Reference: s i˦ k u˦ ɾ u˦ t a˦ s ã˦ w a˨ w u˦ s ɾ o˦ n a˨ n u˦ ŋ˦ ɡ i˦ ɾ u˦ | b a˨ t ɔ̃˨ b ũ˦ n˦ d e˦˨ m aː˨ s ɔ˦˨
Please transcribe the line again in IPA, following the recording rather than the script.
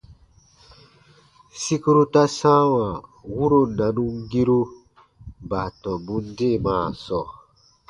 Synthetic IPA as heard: s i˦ k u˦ ɾ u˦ t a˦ s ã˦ w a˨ w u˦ ɾ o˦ n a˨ n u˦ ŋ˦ ɡ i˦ ɾ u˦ | b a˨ t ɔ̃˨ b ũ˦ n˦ d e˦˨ m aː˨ s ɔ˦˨